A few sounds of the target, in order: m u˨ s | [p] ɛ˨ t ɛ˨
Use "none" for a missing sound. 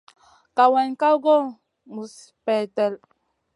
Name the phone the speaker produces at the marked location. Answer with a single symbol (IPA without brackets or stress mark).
p